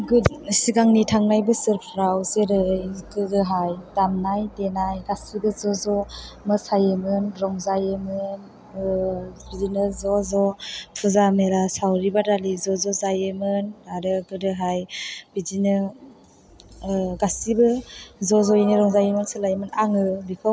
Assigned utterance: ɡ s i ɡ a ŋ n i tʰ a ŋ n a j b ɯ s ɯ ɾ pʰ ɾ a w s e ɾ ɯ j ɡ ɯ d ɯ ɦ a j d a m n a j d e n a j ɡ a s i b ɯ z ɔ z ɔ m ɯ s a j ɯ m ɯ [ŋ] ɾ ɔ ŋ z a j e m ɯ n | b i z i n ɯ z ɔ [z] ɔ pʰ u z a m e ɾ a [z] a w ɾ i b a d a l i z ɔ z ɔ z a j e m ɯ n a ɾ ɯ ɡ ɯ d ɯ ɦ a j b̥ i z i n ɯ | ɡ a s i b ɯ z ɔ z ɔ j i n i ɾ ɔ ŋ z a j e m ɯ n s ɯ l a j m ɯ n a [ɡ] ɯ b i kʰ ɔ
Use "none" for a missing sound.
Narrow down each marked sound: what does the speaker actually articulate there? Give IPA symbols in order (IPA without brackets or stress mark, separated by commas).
n, z, s, ŋ